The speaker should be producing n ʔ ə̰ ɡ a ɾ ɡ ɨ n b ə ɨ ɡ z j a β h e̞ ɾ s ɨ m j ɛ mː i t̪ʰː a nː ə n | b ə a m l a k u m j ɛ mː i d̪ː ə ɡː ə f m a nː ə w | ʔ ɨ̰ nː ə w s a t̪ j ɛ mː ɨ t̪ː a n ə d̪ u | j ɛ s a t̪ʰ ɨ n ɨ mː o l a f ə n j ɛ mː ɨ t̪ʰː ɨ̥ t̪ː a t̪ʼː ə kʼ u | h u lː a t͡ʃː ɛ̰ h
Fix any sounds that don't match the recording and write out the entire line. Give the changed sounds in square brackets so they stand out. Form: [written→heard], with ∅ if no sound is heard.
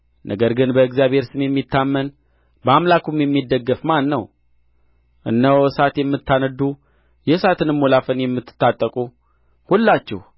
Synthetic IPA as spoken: n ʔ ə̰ ɡ [a→ə] ɾ ɡ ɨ n b ə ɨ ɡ z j a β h e̞ ɾ s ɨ m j ɛ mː i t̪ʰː a [nː→mː] ə n | b ə a m l a k u m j ɛ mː i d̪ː ə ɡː ə f m a nː ə w | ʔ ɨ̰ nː ə w s a t̪ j ɛ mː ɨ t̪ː a n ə d̪ u | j ɛ s a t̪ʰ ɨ n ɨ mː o l a f ə n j ɛ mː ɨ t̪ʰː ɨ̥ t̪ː a t̪ʼː ə kʼ u | h u lː a t͡ʃː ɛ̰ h